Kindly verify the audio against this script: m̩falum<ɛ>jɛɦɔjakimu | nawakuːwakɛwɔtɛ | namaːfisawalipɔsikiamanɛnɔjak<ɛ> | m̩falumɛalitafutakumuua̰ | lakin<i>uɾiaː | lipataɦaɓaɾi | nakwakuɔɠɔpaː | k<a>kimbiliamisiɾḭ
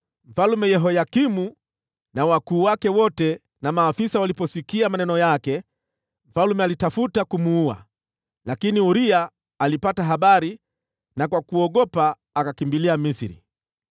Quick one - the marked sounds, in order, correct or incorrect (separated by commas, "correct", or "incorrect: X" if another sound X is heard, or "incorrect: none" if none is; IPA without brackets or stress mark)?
correct, correct, correct, correct